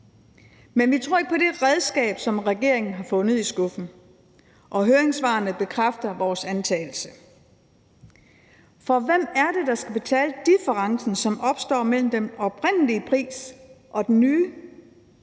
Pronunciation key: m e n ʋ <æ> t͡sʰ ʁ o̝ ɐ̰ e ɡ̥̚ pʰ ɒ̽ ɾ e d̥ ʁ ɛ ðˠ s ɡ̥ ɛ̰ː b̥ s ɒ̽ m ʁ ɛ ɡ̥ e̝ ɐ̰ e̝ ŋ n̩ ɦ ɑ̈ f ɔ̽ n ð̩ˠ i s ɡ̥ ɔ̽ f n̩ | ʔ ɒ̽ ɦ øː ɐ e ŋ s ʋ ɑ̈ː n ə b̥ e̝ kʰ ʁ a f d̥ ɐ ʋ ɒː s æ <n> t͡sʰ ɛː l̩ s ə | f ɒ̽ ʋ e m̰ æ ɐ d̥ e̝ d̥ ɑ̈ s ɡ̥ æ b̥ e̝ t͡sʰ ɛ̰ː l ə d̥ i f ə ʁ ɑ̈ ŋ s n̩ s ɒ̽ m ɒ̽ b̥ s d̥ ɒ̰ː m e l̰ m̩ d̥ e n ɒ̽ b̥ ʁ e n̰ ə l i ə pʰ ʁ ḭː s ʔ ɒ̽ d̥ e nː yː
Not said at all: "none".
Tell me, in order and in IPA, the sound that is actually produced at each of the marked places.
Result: i, n

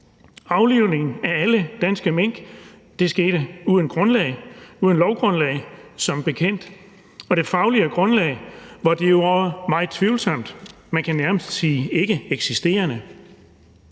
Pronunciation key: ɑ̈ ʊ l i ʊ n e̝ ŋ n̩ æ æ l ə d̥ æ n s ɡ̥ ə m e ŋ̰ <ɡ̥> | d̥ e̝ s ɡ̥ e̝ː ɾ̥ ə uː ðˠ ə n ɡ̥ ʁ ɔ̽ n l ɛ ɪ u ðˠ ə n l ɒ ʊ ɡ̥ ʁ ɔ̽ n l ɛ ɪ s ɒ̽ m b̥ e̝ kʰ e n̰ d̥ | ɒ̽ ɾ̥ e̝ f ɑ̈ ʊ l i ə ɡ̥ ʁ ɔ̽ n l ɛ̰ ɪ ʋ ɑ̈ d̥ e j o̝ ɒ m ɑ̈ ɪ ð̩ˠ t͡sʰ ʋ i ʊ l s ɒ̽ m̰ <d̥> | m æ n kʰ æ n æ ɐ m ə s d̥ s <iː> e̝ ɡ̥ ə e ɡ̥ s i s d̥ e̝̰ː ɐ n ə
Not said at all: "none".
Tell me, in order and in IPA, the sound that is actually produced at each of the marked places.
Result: ɡ̥, d̥, iː

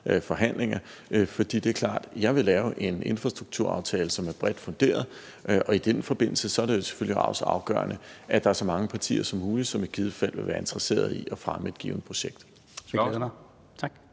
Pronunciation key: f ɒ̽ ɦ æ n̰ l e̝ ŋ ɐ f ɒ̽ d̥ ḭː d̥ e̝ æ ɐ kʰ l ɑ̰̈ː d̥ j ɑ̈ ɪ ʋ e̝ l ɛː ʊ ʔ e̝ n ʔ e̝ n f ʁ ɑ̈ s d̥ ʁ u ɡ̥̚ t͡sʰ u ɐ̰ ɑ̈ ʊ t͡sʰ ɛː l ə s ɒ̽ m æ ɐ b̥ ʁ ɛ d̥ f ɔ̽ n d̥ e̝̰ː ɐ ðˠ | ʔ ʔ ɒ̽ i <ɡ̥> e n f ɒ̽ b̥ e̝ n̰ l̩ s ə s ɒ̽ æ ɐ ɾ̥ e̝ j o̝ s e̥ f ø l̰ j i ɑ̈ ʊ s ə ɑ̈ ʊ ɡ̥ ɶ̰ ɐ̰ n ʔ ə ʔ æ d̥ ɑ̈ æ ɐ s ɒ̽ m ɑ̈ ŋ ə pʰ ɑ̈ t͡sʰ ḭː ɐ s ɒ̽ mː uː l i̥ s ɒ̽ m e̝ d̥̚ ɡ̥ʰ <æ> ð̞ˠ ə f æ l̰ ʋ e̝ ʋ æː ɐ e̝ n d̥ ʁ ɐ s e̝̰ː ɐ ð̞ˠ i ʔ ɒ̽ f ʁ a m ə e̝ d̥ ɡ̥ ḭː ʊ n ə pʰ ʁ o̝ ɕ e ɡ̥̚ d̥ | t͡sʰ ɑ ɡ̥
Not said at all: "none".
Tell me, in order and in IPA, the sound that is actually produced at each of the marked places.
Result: d̥, i

